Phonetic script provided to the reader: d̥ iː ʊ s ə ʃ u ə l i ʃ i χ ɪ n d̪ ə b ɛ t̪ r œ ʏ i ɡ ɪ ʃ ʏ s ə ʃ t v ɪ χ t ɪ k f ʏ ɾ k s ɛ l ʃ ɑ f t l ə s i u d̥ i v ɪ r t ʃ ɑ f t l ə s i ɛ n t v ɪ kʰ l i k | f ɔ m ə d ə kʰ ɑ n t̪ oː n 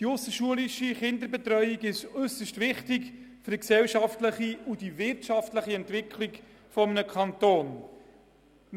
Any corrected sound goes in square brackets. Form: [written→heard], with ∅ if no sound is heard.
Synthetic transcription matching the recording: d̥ [iː→i] ʊ s ə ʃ u ə l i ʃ i χ ɪ n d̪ ə b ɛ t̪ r œ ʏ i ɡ ɪ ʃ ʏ s ə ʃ t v ɪ χ t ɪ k f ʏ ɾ k s ɛ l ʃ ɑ f t l ə [s→χ] i u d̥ i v ɪ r t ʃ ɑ f t l ə [s→χ] i ɛ n t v ɪ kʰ l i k | f ɔ m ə [d→n] ə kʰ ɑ n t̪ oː n